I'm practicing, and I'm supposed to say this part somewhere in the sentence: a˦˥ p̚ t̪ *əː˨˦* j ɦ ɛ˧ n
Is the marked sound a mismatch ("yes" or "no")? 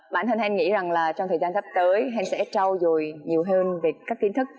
no